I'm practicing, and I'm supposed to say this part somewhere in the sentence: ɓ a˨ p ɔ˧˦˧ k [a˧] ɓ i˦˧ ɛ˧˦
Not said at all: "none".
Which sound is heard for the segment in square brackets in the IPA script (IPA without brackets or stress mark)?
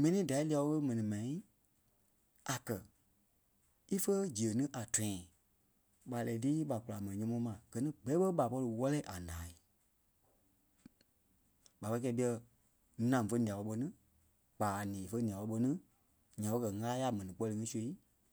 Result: ɛ˧